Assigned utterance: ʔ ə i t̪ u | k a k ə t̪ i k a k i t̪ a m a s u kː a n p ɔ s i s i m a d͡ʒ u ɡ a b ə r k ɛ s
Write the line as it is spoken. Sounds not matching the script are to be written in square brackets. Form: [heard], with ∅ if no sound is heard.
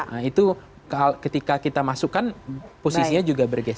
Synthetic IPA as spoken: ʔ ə i t̪ u | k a k ə t̪ i k a k i t̪ a m a s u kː a n p [o] s i s i [ɲ] a d͡ʒ u ɡ a b ə r [ɡ] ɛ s